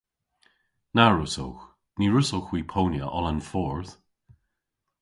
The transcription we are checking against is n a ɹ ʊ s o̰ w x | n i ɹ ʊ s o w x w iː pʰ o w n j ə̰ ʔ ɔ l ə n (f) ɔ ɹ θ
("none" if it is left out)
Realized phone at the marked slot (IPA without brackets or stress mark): f